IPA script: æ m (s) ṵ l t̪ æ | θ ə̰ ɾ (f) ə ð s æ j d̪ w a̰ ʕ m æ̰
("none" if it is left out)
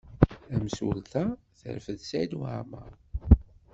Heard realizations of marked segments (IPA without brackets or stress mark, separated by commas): s, f